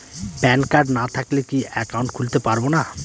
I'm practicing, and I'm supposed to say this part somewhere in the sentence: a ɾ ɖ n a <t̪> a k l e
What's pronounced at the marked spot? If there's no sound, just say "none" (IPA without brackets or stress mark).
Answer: t̪ʰ